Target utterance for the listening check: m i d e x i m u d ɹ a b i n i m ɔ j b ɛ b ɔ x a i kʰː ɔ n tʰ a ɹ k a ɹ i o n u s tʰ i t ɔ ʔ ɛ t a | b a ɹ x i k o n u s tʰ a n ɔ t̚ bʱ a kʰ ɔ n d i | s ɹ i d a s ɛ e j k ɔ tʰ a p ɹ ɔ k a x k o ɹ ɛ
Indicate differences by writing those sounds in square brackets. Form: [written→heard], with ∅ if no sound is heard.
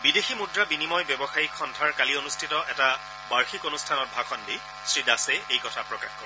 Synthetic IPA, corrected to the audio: [m→b] i d e x i m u d ɹ a b i n i m ɔ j b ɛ b ɔ x a i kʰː ɔ n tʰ a ɹ k a [ɹ→l] i o n u s tʰ i t ɔ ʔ ɛ t a | b a ɹ x i k o n u s tʰ a n ɔ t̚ bʱ a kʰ ɔ n d i | s ɹ i d a s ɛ e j k ɔ tʰ a p ɹ ɔ k a x k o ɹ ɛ